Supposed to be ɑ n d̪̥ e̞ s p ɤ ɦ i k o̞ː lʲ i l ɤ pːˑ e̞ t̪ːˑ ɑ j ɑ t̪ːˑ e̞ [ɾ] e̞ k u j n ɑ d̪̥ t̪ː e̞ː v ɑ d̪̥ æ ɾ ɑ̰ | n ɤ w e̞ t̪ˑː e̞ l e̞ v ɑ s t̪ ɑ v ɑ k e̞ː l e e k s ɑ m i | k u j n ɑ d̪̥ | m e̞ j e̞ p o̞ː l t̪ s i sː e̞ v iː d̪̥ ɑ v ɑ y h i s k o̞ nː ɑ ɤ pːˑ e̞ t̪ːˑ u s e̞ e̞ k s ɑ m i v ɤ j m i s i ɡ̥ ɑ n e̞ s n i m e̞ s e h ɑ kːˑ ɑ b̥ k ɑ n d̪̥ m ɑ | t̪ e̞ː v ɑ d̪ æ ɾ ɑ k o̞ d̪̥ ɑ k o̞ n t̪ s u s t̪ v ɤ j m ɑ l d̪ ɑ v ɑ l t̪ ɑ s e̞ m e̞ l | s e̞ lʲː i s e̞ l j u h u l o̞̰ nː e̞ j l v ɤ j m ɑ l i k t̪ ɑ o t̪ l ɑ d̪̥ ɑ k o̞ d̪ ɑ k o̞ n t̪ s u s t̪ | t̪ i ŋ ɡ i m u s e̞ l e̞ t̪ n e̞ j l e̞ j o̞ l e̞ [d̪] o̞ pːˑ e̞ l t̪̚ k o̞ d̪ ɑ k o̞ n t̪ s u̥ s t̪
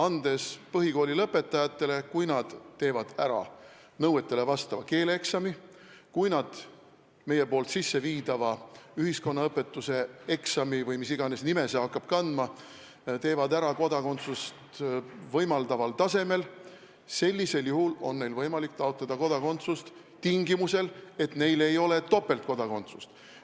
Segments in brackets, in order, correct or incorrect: incorrect, incorrect

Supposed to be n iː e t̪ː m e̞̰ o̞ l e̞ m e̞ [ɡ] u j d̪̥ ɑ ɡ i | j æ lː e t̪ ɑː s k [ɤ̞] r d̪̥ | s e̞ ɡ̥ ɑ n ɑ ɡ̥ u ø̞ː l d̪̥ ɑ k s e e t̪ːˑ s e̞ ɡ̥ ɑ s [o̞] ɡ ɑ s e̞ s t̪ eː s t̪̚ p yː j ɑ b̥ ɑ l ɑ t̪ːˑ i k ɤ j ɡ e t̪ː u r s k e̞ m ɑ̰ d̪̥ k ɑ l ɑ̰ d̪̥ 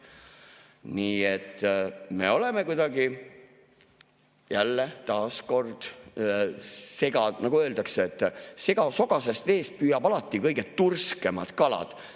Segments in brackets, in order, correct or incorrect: incorrect, incorrect, correct

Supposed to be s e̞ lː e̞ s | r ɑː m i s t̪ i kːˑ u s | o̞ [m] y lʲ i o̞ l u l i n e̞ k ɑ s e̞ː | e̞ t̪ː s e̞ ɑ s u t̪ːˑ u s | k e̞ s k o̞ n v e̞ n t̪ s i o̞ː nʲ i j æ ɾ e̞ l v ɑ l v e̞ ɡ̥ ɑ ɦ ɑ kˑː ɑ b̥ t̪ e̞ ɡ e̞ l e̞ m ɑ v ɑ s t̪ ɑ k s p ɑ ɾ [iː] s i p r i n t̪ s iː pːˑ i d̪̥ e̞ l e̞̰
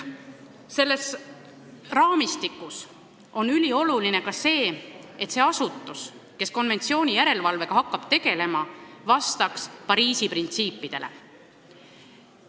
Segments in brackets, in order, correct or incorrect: incorrect, correct

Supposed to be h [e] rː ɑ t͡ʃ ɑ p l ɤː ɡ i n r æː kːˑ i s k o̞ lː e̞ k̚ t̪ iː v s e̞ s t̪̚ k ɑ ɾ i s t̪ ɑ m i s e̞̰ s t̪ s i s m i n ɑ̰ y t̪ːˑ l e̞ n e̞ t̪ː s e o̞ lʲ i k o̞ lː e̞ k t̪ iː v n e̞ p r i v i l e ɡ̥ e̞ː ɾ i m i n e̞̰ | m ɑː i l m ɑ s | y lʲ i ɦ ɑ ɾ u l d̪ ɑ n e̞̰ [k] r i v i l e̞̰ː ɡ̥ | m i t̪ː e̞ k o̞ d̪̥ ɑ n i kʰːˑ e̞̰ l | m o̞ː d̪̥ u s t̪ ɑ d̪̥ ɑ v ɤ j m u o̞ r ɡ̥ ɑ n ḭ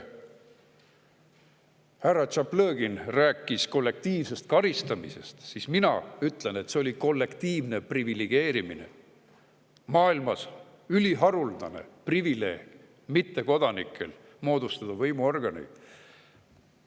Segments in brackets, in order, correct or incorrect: incorrect, incorrect

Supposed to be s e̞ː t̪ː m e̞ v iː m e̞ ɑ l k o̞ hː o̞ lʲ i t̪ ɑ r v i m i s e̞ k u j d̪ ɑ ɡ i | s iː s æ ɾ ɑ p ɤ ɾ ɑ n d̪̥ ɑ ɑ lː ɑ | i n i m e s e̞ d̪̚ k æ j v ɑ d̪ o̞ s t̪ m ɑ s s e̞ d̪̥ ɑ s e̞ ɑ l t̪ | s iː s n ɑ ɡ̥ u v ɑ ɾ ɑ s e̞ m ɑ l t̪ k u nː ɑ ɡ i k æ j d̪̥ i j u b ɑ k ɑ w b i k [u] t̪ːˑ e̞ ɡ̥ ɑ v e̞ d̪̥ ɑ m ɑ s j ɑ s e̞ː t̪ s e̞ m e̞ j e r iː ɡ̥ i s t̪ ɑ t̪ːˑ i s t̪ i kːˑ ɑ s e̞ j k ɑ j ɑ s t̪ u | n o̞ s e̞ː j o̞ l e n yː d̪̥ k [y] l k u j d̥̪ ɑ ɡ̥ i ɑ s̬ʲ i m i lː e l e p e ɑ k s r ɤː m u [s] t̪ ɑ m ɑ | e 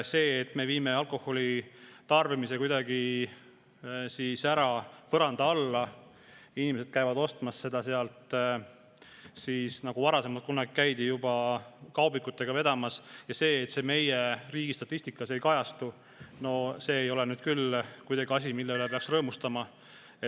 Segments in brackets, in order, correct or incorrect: correct, correct, correct

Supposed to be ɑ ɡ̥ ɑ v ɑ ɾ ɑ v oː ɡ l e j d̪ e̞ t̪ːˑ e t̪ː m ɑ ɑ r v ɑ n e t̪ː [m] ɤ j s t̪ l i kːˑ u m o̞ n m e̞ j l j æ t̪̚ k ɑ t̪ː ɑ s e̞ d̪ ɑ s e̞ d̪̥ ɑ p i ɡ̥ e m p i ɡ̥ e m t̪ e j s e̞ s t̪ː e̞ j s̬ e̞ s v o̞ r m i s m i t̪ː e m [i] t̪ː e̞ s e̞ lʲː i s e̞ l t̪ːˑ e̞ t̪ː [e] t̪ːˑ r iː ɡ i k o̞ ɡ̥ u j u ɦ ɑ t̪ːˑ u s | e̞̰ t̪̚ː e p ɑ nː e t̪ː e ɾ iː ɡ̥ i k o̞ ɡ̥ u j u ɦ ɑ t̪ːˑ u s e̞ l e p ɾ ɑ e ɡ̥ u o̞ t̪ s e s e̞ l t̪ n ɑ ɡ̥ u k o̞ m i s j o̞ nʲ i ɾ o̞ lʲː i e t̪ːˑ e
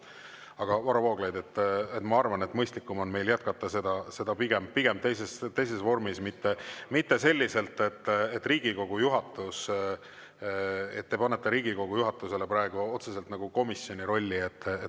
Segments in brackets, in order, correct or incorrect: correct, correct, correct

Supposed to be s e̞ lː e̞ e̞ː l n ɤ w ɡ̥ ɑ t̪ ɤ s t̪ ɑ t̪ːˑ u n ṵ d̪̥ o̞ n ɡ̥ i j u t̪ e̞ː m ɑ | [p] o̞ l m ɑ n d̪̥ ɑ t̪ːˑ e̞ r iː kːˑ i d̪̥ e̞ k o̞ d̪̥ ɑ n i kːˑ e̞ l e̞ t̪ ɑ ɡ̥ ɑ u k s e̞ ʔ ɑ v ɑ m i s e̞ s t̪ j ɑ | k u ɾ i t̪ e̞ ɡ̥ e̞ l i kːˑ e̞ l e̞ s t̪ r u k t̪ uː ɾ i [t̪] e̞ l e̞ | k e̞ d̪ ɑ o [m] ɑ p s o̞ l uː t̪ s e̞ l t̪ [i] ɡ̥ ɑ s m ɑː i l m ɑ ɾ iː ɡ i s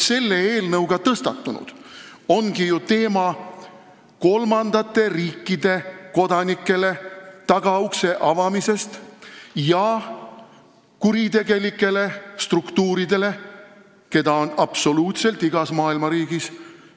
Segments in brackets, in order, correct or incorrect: incorrect, incorrect, incorrect, correct

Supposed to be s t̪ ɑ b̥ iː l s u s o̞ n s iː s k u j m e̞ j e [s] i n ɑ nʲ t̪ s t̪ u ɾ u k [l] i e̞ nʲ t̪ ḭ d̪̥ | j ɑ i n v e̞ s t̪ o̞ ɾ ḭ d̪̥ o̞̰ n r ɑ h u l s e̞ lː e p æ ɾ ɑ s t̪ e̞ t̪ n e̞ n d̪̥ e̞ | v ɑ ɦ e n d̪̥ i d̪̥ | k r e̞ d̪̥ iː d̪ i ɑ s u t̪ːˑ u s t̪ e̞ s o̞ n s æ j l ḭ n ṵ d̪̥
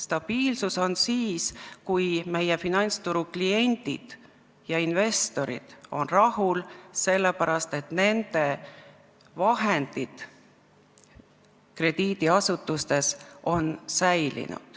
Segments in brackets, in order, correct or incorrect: incorrect, correct

